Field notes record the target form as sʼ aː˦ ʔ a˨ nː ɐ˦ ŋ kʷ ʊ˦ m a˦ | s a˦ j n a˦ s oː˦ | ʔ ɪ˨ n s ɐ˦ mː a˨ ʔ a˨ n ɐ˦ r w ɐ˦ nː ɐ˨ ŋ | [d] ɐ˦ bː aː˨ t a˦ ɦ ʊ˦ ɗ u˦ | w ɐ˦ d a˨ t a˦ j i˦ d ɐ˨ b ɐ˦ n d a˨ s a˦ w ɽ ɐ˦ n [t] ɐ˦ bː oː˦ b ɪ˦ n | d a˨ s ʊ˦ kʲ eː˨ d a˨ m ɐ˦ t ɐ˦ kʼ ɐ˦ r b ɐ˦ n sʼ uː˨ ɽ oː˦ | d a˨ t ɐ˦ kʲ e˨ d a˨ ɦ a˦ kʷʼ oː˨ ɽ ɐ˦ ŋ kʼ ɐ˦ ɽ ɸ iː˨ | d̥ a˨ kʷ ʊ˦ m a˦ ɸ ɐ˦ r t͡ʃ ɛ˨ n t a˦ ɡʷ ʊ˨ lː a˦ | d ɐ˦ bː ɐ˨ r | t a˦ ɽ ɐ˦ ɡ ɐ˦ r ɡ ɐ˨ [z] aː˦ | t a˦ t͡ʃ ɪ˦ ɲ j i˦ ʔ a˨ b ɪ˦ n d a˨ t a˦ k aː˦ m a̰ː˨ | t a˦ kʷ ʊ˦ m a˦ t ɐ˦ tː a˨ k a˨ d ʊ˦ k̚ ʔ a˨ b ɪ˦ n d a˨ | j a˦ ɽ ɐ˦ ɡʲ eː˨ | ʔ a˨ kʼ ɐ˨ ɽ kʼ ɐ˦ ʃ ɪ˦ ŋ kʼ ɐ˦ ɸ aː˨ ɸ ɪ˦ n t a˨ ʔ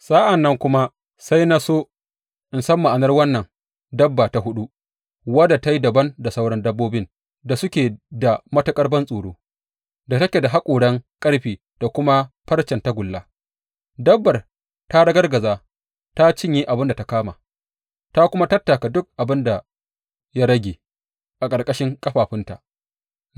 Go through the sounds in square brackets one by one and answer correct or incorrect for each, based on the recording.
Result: correct, incorrect: d, correct

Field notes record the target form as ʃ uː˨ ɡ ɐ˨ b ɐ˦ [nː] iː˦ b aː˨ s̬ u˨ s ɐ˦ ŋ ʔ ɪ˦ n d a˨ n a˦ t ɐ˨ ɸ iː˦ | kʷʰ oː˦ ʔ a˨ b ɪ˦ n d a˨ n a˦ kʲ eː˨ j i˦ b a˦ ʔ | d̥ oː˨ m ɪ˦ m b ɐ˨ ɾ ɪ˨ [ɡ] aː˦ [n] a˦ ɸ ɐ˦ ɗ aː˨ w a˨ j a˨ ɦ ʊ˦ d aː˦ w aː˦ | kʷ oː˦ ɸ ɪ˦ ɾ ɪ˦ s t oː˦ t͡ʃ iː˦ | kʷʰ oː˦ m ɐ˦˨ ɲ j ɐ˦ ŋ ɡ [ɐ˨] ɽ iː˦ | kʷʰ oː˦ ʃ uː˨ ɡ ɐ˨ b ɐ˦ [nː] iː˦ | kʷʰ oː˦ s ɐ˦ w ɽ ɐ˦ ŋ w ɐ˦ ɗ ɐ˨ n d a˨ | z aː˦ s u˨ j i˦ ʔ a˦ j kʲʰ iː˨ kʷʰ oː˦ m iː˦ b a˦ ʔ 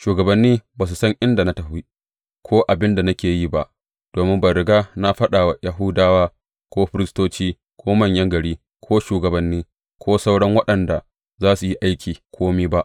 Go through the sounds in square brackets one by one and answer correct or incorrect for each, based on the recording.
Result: correct, correct, correct, correct, correct

